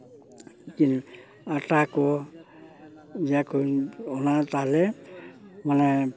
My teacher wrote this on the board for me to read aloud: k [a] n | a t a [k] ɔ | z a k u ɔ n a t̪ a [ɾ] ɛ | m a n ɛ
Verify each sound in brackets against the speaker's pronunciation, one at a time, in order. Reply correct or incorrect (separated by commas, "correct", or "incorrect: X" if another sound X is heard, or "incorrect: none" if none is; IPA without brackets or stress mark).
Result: incorrect: i, correct, incorrect: l